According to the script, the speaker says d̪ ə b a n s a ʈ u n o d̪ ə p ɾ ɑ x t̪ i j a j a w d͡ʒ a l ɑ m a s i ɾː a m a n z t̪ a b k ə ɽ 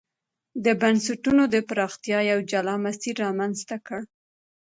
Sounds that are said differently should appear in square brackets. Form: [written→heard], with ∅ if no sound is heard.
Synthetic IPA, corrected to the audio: d̪ ə b a n s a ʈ u n o d̪ ə p ɾ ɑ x t̪ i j [a→ɑ] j a w d͡ʒ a l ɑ m a s i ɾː [a→ɑ] m a n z t̪ a [b→∅] k ə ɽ